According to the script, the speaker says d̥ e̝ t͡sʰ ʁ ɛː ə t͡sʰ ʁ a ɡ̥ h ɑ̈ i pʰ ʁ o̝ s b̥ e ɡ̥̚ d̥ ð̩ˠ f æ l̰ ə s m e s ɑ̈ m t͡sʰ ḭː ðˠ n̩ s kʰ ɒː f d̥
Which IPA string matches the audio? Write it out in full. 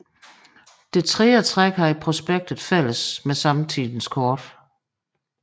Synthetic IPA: d̥ e̝ t͡sʰ ʁ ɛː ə t͡sʰ ʁ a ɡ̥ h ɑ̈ i pʰ ʁ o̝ s b̥ e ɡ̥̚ d̥ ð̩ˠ f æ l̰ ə s m e s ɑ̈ m t͡sʰ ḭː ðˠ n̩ s kʰ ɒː d̥